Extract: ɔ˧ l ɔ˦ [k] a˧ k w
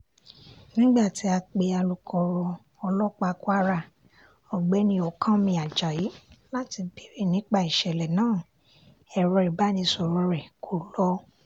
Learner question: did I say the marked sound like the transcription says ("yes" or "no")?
no